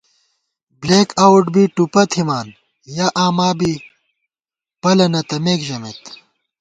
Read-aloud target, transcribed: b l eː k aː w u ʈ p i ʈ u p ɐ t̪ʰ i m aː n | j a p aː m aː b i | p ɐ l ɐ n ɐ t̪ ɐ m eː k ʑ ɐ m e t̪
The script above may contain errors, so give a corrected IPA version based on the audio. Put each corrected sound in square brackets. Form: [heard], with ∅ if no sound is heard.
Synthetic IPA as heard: b l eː k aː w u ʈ [b] i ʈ u p ɐ t̪ʰ i m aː n | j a [ʔ] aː m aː b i | p ɐ l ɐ n ɐ t̪ ɐ m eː k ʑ ɐ m e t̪